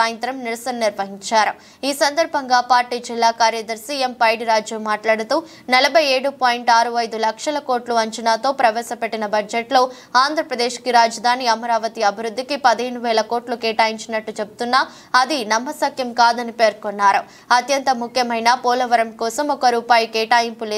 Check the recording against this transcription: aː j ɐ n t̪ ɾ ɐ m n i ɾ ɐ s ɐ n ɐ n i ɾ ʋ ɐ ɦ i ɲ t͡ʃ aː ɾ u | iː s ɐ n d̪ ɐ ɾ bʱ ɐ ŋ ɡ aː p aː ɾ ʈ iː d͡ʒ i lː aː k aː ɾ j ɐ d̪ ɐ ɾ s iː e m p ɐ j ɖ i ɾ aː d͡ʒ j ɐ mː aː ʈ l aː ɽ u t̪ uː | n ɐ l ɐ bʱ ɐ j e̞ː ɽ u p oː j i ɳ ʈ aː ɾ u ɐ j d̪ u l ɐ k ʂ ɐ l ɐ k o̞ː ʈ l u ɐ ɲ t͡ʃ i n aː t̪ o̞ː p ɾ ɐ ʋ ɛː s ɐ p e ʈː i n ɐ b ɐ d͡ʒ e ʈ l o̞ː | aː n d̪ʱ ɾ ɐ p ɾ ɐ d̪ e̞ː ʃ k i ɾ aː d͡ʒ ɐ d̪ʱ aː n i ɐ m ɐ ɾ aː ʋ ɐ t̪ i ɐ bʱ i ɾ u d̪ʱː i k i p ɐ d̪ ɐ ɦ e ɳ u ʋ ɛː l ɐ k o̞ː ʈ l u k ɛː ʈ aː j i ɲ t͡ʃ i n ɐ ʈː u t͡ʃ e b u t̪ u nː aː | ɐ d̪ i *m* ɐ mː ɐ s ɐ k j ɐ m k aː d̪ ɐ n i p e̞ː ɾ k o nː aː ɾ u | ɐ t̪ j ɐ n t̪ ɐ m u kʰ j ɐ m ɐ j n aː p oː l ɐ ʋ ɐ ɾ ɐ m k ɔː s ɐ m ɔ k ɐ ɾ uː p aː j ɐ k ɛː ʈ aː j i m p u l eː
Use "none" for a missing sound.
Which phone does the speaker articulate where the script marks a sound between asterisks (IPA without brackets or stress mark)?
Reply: n